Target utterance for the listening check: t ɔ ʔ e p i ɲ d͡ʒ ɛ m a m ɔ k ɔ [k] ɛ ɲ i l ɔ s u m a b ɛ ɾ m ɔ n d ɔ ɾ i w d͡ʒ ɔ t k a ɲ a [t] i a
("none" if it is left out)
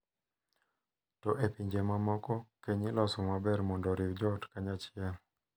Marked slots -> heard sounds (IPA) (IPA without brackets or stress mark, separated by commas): k, t͡ʃ